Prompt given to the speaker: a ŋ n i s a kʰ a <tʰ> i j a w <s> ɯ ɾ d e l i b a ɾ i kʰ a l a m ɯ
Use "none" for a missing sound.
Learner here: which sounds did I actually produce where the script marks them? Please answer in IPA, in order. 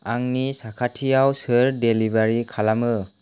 tʰ, s

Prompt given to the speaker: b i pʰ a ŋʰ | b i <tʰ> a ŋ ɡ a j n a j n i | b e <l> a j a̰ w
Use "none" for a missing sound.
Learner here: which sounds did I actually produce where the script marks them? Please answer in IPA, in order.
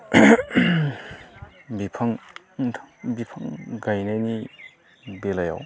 pʰ, l

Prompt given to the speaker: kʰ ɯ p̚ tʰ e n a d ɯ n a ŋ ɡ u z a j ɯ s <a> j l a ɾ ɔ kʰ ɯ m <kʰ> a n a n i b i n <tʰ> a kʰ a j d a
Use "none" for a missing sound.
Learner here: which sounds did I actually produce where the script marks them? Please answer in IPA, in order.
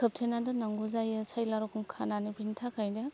a, kʰ, tʰ

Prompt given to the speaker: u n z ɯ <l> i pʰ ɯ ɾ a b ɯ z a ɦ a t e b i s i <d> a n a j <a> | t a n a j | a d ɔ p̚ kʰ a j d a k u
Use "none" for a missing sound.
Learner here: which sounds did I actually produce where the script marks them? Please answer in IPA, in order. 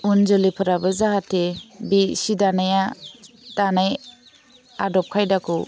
l, d, a

